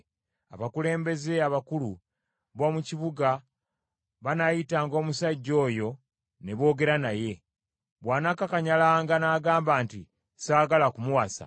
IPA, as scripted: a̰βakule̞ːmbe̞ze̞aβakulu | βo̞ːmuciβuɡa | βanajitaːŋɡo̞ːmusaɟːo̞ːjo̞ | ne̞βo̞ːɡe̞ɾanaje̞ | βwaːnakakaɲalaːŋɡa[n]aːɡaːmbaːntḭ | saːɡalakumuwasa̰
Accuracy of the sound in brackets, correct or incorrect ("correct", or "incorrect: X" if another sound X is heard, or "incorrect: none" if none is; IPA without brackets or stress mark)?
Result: correct